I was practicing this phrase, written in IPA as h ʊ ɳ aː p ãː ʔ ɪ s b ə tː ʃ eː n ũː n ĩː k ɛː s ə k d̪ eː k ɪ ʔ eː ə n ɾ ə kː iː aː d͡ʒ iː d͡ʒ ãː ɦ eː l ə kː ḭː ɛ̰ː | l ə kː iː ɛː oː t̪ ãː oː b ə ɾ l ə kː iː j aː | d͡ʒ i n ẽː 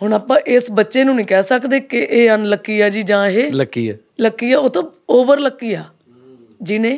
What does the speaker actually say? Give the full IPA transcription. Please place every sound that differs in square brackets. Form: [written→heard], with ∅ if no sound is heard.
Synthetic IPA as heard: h ʊ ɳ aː p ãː ʔ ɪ s b ə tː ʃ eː n ũː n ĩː k ɛː s ə k d̪ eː k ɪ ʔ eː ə n [ɾ→l] ə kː iː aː d͡ʒ iː d͡ʒ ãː ɦ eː l ə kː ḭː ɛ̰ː | l ə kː iː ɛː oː t̪ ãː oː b ə ɾ l ə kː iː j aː | d͡ʒ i n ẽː